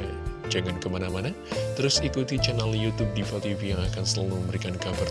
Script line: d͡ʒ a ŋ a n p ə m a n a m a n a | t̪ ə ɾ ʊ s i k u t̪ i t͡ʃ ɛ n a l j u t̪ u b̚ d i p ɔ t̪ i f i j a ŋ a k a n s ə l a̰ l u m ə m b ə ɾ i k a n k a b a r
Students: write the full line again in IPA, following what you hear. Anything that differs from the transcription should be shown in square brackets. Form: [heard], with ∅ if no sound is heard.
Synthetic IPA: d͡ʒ a ŋ a n [k] ə m a n a m a n a | t̪ ə ɾ ʊ s i k u t̪ i t͡ʃ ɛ n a l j u t̪ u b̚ d i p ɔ t̪ i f i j a ŋ a k a n s ə l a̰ l u m ə m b ə ɾ i k a n k a b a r